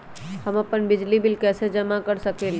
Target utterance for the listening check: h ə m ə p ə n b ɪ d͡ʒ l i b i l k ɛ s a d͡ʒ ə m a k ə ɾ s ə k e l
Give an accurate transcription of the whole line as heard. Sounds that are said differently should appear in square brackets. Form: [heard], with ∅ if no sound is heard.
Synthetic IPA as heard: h ə m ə p ə n b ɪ d͡ʒ l i b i l k ɛ s [e] d͡ʒ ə m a k ə ɾ s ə k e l